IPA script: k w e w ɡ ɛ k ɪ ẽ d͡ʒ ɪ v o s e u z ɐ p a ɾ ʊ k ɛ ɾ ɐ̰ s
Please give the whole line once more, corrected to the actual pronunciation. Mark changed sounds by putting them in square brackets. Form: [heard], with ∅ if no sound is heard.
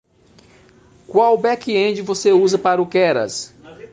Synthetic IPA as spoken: k w [a] w [b] ɛ k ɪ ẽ d͡ʒ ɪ v o s e u z ɐ p a ɾ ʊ k ɛ ɾ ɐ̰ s